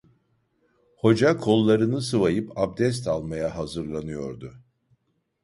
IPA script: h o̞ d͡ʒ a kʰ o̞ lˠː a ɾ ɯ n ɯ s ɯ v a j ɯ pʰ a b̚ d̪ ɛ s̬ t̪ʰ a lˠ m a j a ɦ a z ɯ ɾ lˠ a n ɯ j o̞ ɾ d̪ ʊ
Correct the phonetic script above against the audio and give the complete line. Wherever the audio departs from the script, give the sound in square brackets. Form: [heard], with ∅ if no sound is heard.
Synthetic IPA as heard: h o̞ d͡ʒ a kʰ o̞ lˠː a ɾ ɯ n ɯ s ɯ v a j ɯ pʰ a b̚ d̪ ɛ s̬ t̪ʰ a lˠ m a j a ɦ a z ɯ ɾ lˠ a n ɯ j o̞ ɾ d̪ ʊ